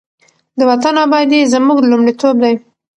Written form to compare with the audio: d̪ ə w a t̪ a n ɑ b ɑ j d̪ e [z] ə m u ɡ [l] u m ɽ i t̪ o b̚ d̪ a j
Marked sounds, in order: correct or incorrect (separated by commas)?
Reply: correct, correct